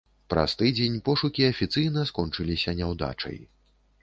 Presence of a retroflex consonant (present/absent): present